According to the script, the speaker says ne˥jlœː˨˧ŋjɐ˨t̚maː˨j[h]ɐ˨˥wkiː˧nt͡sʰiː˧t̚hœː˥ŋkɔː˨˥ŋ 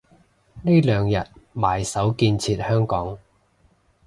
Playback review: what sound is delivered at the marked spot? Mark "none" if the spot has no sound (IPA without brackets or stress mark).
s